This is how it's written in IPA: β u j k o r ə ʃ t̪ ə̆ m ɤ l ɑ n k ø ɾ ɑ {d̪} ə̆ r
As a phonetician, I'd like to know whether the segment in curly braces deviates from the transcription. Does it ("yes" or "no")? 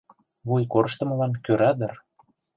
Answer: no